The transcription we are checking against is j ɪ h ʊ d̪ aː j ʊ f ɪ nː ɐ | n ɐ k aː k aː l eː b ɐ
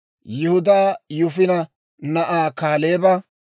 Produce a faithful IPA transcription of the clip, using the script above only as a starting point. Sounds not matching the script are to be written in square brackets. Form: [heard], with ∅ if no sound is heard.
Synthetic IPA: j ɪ h ʊ d̪ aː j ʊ f ɪ [n] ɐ | n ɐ [ʔ] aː k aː l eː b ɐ